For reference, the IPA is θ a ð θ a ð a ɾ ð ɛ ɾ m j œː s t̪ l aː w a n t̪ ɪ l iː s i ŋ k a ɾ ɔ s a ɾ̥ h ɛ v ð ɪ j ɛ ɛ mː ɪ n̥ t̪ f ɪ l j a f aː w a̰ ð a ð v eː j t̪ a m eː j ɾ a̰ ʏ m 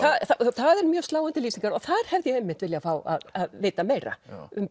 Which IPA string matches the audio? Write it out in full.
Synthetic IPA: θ a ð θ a θ a ð ɛ ɾ m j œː s t̪ l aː w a n t̪ ɪ l iː s i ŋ k a ɾ ɔ θ a ɾ̥ h ɛ v ð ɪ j ɛ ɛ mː ɪ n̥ t̪ v ɪ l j a f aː w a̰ ð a ð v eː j t̪ a m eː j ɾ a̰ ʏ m

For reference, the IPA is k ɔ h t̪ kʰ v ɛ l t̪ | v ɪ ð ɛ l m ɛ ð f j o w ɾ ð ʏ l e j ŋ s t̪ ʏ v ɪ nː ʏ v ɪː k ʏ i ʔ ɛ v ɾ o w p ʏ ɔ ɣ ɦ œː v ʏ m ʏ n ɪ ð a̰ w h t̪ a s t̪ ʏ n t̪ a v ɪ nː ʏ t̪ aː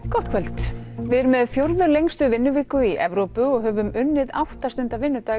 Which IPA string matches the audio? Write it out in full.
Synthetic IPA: k ɔ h t̪ kʰ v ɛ l t̪ | v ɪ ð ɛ ɾ m ɛ ð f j o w ɾ ð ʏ l e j ŋ s t̪ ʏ v ɪ nː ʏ v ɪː k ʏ i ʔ ɛ v ɾ o w p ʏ ɔ ɣ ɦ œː v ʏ m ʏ nː ɪ ð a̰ w h t̪ a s t̪ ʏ n t̪ a v ɪ nː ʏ t̪ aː

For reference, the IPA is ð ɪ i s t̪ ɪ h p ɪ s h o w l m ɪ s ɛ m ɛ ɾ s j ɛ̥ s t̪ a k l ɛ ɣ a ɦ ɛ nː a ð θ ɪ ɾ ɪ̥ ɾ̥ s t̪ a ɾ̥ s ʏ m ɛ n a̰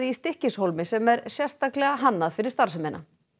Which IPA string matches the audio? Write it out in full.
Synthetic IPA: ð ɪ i s t̪ ɪ h c ɪ s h o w l m ɪ s ɛ m ɛ ɾ s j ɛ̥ s t̪ a k l ɛ ɣ a ɦ a nː a ð f ɪ ɾ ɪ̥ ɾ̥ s t̪ a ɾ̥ s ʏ m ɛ n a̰

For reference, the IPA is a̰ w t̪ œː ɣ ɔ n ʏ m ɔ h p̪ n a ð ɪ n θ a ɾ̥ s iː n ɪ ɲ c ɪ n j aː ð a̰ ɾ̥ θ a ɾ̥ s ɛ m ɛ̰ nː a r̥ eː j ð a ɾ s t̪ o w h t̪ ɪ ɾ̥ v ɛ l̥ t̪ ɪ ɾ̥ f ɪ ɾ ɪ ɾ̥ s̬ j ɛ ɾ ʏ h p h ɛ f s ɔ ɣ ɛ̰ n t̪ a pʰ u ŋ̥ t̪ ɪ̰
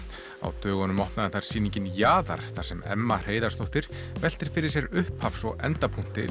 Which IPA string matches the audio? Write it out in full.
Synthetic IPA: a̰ w t̪ œː ɣ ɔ n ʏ m ɔ h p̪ n a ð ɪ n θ a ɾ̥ s iː n i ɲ c ɪ n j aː ð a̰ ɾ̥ θ a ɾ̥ s ɛ m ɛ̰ mː a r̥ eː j ð a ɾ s t̪ o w h t̪ ɪ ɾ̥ v ɛ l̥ t̪ ɪ ɾ̥ f ɪ ɾ ɪ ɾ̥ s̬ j ɛ ɾ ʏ h p h a f s ɔ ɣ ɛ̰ n t̪ a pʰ u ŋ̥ t̪ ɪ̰

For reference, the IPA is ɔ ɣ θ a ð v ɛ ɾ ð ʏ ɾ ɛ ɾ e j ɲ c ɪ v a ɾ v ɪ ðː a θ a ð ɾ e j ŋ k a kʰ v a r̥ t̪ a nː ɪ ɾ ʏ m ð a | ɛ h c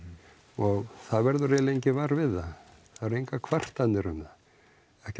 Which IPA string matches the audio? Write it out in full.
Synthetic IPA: ɔ ɣ θ a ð v ɛ ɾ ð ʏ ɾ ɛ l e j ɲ c ɪ v a ɾ v ɪ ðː a θ a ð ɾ e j ŋ k a kʰ v a r̥ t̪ a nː ɪ ɾ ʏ m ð a | ɛ h c

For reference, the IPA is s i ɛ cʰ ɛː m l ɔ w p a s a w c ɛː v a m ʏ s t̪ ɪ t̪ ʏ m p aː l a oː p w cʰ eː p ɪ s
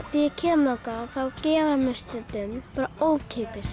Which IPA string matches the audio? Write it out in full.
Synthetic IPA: θ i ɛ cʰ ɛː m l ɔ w k a θ a w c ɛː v a m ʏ s t̪ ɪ t̪ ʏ m p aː ɾ a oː w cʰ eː p ɪ s

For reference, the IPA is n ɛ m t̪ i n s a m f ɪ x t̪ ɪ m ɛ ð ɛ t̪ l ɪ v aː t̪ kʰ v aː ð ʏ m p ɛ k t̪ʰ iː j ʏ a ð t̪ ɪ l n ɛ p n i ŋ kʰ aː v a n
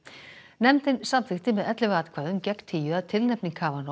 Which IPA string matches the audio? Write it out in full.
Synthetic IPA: n ɛ m t̪ ɪ n s a m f ɪ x t̪ ɪ m ɛ ð ɛ t̪ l ɪ v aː t̪ kʰ v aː ð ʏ m c ɛ k t̪ʰ iː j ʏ a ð t̪ʰ ɪ l n ɛ p n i ŋ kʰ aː v a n

